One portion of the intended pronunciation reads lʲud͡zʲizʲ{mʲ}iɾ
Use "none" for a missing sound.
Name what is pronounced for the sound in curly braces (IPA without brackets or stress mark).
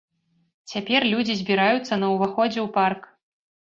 bʲ